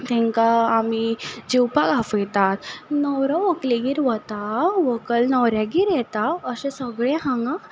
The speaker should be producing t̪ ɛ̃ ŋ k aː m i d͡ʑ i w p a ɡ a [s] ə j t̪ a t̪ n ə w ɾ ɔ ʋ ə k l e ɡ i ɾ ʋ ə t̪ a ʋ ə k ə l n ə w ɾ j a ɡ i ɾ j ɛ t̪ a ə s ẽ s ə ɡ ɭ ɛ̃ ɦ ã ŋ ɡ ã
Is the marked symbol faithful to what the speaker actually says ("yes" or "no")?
no